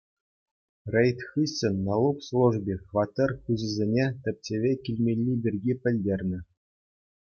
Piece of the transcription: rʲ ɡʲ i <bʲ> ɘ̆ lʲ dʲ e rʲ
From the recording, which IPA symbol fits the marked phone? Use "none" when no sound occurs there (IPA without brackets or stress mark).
pʲ